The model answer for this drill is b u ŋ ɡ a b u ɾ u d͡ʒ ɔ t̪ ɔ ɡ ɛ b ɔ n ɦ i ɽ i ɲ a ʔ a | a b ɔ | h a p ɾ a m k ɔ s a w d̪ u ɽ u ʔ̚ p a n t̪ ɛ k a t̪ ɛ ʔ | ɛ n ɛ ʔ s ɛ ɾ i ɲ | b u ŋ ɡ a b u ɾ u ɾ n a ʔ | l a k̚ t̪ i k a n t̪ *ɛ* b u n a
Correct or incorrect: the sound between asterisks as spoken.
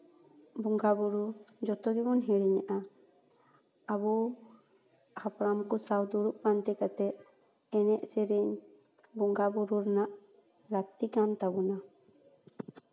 incorrect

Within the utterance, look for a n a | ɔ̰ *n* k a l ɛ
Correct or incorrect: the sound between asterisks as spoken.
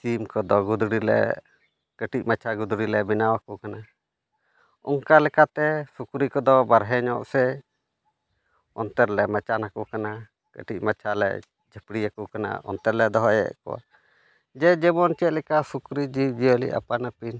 incorrect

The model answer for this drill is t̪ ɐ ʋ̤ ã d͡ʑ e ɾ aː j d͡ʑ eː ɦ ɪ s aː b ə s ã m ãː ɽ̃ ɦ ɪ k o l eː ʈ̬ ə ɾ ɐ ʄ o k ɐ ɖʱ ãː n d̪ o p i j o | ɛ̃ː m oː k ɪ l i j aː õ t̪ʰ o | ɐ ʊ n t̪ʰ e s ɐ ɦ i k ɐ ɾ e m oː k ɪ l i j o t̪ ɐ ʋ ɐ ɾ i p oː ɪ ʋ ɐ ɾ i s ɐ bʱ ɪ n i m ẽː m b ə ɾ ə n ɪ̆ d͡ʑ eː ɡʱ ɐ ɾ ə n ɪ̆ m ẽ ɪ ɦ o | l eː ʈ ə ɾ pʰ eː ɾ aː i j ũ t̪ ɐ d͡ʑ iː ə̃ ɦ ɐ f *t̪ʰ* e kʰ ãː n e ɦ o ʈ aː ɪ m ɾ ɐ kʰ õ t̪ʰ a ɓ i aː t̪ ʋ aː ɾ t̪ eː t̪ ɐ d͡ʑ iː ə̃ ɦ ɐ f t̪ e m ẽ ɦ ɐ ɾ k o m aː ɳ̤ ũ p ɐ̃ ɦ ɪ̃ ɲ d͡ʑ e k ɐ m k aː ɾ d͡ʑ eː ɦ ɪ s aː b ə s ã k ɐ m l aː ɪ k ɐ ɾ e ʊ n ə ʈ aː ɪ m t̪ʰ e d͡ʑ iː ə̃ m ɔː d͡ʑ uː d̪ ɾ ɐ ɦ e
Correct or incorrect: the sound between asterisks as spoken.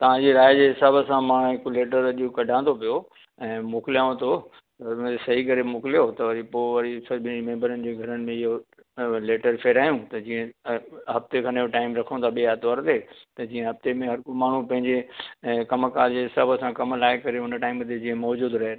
incorrect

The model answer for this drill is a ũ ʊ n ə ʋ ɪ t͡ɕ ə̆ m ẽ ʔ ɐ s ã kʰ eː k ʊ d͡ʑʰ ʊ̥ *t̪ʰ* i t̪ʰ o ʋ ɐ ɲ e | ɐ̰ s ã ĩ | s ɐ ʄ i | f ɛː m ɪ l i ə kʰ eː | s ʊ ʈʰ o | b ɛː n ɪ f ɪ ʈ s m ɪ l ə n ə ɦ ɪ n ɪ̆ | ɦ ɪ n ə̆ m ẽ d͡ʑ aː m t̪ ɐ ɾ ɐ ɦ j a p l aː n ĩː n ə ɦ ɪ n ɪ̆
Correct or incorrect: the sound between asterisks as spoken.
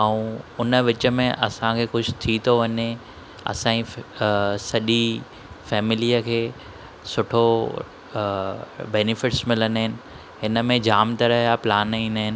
correct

